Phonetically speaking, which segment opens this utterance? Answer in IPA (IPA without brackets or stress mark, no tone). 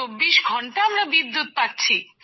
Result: o